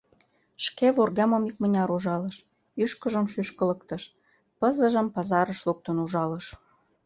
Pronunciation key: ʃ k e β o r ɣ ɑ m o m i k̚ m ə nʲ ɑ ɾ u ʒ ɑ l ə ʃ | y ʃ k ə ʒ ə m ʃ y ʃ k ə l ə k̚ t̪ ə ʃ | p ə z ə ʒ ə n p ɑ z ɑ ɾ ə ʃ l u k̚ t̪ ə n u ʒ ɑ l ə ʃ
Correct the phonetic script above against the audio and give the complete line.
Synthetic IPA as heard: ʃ k e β o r ɣ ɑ m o m i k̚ m ə nʲ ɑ ɾ u ʒ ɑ l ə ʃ | y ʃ k ə ʒ ə m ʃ y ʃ k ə l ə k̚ t̪ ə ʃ | p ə z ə ʒ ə m p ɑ z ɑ ɾ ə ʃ l u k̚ t̪ ə n u ʒ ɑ l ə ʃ